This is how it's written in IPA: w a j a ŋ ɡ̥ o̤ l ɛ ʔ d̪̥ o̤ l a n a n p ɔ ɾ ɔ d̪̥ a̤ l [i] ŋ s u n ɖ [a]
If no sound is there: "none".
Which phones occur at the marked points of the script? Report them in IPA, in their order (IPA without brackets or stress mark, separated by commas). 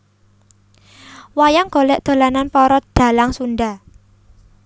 a, a